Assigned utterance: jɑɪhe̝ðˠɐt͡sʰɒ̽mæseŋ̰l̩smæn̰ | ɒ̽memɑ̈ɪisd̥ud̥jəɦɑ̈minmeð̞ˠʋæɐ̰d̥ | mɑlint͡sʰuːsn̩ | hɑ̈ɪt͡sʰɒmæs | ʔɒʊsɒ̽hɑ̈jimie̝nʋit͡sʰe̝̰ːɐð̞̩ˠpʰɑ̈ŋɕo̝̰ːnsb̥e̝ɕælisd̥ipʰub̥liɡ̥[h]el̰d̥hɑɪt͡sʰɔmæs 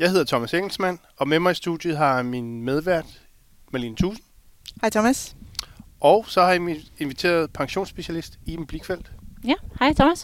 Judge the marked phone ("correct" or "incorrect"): incorrect